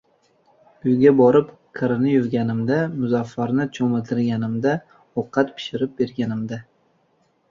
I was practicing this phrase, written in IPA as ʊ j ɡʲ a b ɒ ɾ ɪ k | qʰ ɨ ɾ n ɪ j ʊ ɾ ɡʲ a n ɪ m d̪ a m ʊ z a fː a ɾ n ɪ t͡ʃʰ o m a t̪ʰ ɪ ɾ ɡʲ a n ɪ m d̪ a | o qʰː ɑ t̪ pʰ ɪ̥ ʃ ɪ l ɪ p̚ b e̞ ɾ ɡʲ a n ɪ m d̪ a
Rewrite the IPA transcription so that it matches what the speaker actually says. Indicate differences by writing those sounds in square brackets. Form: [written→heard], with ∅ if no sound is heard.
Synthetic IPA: ʊ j ɡʲ a b ɒ ɾ ɪ [k→p] | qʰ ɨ ɾ n ɪ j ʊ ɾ ɡʲ a n ɪ m d̪ a m ʊ z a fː a ɾ n ɪ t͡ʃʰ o m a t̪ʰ ɪ ɾ ɡʲ a n ɪ m d̪ a | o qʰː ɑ t̪ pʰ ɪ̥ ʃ ɪ [l→ɾ] ɪ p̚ b e̞ ɾ ɡʲ a n ɪ m d̪ a